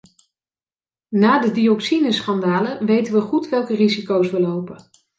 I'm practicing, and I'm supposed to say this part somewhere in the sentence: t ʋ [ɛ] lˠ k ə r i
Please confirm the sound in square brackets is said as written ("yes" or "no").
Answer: yes